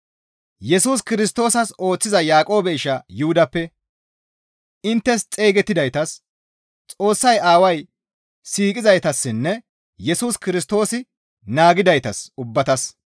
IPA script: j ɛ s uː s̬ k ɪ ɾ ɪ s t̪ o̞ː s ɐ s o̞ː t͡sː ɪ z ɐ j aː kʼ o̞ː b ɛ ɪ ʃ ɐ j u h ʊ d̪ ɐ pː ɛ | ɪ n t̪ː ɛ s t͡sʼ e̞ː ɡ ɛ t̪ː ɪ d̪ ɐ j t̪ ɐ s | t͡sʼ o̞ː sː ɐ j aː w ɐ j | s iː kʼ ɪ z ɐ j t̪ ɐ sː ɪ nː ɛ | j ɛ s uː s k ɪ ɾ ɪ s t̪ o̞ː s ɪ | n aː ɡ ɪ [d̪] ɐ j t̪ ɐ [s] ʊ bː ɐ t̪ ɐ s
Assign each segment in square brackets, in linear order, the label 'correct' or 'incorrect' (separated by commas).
correct, correct